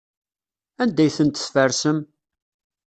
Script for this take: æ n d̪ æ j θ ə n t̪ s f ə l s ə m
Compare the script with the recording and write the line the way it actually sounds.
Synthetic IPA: æ n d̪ æ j θ ə n t̪ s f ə ɾ s ə m